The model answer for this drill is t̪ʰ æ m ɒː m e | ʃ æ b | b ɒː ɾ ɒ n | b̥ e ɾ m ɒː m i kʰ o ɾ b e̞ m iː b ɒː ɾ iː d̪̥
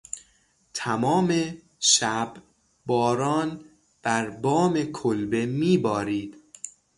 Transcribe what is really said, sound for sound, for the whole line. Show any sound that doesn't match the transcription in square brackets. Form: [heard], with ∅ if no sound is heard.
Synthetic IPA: t̪ʰ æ m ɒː m e | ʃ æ b | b ɒː ɾ [ɒː] n | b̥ [æ] ɾ [b] ɒː m [e] kʰ o [l] b e̞ m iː b ɒː ɾ iː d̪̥